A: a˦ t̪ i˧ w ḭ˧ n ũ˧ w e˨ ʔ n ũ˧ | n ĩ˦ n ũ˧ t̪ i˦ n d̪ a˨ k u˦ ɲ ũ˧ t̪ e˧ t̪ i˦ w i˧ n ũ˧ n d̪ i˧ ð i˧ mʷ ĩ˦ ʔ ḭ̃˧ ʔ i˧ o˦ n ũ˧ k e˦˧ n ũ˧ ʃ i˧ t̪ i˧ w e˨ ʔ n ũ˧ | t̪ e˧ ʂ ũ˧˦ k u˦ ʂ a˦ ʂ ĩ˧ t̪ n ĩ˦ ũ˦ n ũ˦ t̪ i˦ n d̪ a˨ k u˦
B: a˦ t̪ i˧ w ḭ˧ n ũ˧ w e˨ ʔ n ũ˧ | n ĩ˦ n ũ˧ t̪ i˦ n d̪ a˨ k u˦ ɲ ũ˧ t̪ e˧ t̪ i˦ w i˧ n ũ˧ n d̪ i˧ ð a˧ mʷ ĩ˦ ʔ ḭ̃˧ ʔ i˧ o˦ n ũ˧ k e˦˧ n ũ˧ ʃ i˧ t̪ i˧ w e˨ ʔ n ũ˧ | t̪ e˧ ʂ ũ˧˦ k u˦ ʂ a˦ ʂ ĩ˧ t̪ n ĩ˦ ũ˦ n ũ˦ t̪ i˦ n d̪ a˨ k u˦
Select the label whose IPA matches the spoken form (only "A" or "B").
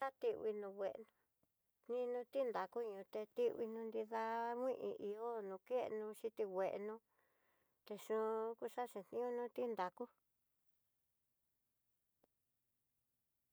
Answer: B